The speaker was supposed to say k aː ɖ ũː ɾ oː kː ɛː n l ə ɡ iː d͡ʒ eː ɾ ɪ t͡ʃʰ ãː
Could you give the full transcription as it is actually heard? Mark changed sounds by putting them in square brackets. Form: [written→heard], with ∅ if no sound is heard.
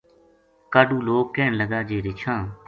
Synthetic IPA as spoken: k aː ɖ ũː [ɾ→l] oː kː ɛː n l ə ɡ [iː→aː] d͡ʒ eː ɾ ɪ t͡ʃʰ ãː